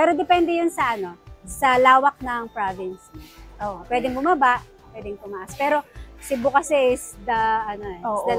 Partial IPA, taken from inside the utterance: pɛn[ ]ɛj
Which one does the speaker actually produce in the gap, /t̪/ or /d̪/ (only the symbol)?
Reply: d̪